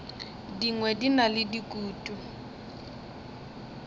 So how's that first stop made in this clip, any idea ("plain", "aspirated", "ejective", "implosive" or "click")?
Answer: plain